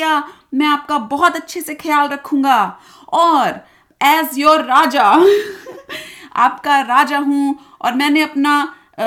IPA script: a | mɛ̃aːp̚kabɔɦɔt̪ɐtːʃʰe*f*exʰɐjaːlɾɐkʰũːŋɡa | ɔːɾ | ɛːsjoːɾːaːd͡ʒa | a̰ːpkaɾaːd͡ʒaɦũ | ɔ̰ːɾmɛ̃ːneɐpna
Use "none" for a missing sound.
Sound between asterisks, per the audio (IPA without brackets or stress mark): s